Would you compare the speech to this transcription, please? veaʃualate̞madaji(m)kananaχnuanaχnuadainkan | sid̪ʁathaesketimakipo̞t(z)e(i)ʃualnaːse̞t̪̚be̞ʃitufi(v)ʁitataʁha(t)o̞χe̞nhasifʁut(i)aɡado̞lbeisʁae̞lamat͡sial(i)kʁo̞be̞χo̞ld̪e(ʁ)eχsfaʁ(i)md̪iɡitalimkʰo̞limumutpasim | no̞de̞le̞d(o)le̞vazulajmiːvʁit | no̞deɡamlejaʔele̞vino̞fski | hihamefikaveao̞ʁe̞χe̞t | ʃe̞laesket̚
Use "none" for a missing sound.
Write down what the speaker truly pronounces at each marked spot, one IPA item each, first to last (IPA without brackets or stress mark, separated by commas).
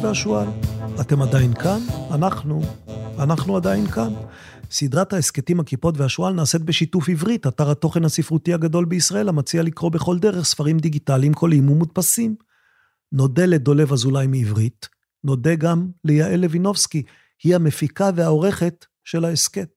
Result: n, v, a, v, t, i, i, ʁ, i, o